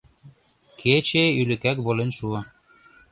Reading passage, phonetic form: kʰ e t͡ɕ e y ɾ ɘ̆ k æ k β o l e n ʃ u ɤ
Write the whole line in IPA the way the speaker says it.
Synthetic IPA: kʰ e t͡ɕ e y l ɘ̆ k æ k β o l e n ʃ u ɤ